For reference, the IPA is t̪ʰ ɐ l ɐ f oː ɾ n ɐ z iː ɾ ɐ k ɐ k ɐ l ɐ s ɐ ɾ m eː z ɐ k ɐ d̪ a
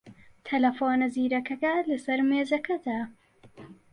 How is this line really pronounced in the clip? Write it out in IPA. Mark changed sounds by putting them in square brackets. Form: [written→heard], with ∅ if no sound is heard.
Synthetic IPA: t̪ʰ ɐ l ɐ f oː [ɾ→∅] n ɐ z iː ɾ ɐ k ɐ k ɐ l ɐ s ɐ ɾ m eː z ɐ k ɐ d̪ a